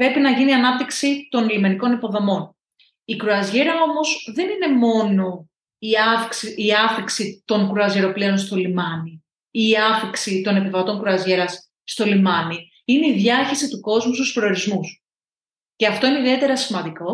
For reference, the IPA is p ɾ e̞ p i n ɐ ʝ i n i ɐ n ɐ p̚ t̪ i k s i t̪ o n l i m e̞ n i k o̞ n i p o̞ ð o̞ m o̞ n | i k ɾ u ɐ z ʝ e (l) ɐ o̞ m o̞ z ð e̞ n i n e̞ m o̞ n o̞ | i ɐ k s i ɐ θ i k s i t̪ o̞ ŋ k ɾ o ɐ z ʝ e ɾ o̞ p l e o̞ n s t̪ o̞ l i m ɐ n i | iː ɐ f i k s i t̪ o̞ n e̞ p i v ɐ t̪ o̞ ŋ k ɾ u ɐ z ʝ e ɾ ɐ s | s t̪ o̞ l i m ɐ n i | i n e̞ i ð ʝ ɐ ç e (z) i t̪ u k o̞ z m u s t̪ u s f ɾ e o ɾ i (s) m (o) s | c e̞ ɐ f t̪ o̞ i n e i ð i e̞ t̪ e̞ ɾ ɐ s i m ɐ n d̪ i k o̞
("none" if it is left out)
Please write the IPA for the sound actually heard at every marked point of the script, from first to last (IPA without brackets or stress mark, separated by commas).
ɾ, s, z, u